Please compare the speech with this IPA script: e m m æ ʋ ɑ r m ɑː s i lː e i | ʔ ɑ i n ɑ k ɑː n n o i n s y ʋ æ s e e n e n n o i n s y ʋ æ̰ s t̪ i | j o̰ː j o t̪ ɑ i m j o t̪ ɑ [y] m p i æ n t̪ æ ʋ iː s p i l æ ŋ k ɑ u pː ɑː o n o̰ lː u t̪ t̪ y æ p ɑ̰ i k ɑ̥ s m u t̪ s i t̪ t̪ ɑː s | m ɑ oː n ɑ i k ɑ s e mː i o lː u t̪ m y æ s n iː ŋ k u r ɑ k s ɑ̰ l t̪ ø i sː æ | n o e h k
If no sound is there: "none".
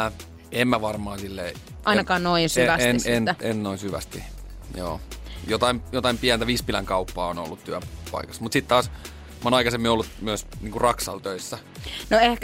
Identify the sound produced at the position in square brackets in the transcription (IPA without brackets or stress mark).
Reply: i